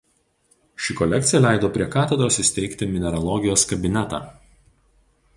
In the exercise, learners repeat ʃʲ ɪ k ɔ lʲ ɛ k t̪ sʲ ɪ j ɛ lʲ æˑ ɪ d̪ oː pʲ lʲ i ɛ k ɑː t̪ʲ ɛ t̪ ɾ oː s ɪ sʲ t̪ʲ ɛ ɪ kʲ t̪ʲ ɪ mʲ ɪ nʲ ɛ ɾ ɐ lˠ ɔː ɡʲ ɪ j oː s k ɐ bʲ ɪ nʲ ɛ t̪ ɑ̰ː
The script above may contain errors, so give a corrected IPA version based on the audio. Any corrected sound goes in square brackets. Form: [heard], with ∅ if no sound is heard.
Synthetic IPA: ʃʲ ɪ k ɔ lʲ ɛ k t̪ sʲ ɪ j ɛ lʲ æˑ ɪ d̪ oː pʲ [ɾʲ] i ɛ k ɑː t̪ʲ ɛ [d̪] ɾ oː s ɪ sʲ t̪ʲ ɛ ɪ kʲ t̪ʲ ɪ mʲ ɪ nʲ ɛ ɾ ɐ lˠ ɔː ɡʲ ɪ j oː s k ɐ bʲ ɪ nʲ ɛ t̪ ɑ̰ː